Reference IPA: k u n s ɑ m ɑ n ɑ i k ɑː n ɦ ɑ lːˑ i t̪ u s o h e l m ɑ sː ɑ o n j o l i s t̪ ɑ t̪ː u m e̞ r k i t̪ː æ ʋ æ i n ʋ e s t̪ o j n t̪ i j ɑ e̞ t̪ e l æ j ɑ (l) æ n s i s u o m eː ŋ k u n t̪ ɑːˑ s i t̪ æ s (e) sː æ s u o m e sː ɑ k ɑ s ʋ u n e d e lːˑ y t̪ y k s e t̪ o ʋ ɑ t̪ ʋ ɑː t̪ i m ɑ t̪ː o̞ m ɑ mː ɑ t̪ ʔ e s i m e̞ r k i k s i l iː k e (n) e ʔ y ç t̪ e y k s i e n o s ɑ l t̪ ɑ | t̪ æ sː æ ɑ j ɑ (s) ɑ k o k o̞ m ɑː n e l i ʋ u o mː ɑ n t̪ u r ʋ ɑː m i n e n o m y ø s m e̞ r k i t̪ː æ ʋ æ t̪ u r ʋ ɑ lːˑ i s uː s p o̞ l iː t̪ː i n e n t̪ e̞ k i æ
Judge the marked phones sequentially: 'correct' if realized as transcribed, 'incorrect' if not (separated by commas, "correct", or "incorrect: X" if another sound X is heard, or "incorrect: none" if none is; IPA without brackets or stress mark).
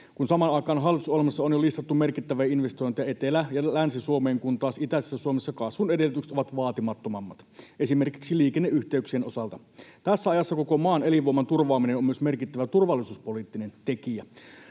correct, correct, incorrect: nː, incorrect: sː